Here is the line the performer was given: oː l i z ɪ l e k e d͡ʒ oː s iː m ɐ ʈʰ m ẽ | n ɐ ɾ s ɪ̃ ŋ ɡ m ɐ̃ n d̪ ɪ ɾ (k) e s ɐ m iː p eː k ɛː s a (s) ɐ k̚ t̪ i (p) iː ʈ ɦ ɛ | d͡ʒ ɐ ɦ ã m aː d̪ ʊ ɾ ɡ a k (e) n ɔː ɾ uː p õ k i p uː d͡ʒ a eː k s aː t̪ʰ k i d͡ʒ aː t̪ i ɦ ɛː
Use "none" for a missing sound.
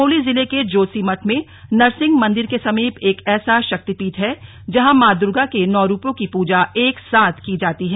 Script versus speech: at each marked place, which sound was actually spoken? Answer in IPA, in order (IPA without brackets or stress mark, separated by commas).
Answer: k, ʃ, p, e